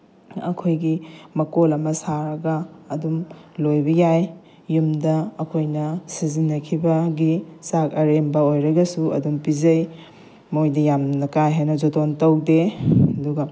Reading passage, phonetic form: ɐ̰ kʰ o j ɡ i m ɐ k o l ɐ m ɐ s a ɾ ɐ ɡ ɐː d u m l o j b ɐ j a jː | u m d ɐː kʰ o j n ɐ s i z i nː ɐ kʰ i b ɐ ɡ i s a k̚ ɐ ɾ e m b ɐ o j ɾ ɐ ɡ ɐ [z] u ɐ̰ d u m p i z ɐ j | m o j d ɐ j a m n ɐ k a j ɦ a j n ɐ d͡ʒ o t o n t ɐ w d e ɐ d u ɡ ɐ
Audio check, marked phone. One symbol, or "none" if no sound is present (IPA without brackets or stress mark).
s